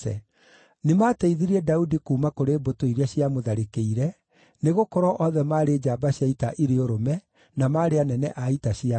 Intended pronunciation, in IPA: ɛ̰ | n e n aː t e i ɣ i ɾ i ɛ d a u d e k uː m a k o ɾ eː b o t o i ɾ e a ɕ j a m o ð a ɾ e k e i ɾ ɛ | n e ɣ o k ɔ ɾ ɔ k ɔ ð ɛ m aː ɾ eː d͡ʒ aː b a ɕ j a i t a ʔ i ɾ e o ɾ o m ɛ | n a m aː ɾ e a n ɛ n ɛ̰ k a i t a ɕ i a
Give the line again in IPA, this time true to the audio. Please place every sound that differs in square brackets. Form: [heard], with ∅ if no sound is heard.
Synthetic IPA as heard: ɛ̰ | n e [m] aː t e i [ð] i ɾ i ɛ d a u d [i] k uː m a k o ɾ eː b o t o i ɾ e a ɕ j a m o ð a ɾ e k e i ɾ ɛ | n e ɣ o k ɔ ɾ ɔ [ʔ] ɔ ð ɛ m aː ɾ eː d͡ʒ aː b a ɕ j a i t a ʔ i ɾ e o ɾ o m ɛ | n a m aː ɾ e a n ɛ n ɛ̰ [ʔ] a i t a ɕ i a